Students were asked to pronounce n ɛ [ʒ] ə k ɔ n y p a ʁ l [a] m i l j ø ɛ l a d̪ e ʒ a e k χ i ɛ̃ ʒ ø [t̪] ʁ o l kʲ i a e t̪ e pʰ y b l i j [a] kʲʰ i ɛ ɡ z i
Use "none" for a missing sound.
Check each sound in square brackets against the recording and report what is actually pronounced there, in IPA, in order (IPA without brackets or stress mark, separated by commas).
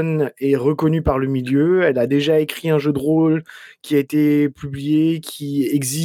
ʁ, ə, d̪, e